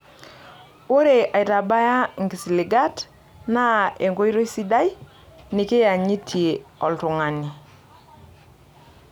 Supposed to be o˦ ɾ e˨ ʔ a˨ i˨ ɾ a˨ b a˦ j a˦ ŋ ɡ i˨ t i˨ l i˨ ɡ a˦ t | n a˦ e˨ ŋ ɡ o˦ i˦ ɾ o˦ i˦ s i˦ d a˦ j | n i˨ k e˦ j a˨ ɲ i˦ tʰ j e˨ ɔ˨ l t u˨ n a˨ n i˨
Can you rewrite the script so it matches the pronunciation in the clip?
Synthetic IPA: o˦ ɾ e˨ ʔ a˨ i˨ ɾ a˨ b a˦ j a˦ ŋ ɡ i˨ s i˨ l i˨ ɡ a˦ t | n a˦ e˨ ŋ ɡ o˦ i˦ ɾ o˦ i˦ s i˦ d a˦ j | n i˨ k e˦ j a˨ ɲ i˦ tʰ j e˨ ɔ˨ l t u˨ ŋ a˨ n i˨